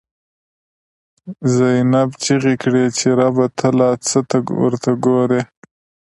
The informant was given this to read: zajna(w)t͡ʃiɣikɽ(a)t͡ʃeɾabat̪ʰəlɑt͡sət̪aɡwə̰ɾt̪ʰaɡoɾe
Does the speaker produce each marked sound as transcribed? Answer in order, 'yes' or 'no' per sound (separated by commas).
no, no